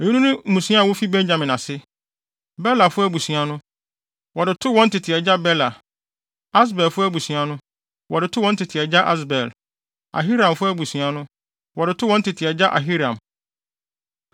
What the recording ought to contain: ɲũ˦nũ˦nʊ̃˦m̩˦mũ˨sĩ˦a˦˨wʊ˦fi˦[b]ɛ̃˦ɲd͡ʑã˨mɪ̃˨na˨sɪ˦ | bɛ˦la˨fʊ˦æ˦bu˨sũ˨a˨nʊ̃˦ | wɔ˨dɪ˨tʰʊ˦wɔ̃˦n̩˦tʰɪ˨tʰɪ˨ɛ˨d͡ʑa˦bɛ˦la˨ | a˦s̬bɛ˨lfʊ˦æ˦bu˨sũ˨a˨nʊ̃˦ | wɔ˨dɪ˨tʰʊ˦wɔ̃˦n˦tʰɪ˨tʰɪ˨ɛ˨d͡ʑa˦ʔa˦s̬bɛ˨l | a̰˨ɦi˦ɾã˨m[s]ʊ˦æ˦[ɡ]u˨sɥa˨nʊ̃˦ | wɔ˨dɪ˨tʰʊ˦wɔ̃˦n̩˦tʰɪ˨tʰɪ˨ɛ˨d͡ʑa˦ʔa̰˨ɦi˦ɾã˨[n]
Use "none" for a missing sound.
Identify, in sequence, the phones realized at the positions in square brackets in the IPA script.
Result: b, f, b, m

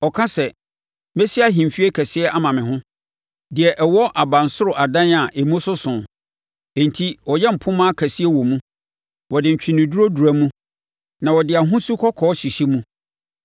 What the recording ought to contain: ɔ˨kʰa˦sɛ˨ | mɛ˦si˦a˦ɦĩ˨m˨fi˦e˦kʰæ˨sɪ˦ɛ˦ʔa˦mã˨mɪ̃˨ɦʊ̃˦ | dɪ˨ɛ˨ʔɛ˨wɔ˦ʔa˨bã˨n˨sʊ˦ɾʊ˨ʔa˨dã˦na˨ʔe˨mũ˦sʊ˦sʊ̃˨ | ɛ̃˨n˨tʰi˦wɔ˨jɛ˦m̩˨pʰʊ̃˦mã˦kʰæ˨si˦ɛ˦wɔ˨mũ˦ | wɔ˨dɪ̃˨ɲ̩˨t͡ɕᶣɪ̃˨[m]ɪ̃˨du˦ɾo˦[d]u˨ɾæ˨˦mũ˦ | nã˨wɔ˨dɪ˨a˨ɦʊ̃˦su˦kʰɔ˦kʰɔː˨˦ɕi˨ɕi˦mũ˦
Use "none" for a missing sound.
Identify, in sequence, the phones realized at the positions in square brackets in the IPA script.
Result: n, d

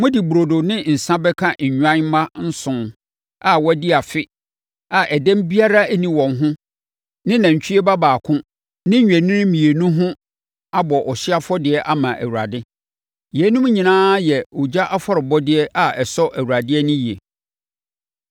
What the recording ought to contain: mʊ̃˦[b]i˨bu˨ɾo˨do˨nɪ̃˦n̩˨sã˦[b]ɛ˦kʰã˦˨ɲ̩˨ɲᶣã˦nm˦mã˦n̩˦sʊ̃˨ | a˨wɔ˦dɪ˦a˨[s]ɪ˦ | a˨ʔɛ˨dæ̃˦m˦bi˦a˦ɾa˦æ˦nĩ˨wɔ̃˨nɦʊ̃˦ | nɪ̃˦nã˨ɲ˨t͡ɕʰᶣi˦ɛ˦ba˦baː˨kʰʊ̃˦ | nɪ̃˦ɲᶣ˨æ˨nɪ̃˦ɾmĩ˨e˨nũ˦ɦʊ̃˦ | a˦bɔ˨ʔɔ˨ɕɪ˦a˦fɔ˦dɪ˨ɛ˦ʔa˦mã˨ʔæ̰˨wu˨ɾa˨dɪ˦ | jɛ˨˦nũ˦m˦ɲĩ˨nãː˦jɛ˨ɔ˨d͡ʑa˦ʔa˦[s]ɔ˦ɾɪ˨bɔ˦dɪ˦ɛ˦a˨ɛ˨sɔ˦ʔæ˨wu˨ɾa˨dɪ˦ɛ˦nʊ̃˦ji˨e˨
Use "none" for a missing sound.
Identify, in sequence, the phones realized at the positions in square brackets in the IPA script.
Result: d, b, f, f

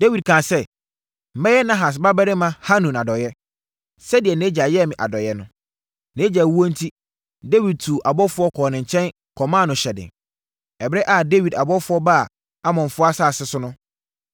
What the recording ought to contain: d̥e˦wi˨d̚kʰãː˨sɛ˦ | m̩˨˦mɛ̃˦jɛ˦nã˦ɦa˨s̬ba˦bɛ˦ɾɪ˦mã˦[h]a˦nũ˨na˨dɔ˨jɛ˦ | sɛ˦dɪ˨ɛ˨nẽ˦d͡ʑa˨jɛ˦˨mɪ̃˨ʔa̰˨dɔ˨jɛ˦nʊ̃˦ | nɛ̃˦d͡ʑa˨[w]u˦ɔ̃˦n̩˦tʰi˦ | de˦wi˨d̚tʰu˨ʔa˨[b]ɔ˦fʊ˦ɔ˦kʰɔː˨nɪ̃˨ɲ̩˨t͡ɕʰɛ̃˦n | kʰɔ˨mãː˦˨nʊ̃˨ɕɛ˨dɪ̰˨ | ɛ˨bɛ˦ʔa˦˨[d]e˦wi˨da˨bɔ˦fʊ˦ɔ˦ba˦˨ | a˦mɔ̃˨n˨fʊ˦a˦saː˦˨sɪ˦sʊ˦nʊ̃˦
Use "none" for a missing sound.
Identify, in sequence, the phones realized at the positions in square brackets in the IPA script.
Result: h, w, b, d

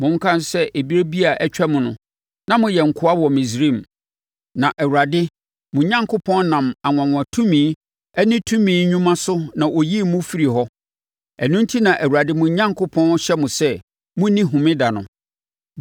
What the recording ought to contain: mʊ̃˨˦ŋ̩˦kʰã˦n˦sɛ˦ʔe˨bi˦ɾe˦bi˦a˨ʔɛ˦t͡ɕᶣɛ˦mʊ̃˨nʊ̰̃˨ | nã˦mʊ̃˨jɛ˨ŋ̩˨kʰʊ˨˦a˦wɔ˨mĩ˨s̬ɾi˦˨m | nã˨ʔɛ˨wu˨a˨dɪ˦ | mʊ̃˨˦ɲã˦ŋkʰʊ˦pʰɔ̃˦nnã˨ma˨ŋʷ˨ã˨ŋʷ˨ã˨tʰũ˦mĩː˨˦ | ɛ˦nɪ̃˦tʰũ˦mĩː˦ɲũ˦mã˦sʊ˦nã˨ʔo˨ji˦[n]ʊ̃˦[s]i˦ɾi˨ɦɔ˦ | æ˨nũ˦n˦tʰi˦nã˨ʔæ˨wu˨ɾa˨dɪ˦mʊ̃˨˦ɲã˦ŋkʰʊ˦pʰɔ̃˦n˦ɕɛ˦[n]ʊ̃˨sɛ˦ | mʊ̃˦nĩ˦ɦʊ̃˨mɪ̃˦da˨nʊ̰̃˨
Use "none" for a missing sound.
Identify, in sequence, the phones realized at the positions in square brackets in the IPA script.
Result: m, f, m

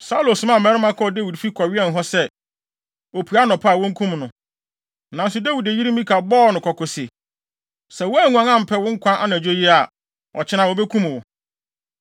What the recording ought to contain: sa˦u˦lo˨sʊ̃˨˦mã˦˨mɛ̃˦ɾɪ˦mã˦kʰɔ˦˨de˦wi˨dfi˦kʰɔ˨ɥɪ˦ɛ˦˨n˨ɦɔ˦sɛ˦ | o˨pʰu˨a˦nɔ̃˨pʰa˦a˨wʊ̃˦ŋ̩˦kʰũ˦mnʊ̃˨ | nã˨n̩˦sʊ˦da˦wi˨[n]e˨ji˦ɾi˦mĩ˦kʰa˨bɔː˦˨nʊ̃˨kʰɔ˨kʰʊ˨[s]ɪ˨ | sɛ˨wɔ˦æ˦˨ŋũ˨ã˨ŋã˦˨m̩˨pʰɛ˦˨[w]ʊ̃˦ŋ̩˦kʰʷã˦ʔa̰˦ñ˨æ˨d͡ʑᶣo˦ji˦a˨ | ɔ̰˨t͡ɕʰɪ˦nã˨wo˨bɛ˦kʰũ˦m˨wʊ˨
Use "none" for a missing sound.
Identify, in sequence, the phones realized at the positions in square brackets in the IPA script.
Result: d, s, w

